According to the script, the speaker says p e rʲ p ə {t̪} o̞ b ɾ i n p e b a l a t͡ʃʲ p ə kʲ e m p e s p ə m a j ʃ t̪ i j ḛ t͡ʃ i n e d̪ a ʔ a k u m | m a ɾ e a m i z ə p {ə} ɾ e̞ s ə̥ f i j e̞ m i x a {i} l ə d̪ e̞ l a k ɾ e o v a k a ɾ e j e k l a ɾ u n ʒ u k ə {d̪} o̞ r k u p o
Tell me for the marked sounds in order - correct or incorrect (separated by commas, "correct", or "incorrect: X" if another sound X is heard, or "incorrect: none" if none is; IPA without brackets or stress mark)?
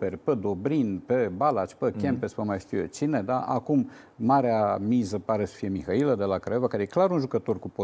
incorrect: d̪, incorrect: a, correct, incorrect: t̪